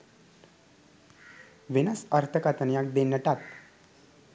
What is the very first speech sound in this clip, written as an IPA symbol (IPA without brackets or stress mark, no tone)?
ʋ